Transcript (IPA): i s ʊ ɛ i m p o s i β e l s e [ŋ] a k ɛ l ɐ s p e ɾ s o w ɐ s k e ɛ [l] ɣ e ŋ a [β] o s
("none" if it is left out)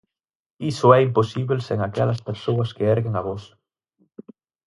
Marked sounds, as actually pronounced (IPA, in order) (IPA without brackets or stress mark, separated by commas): ŋ, ɾ, β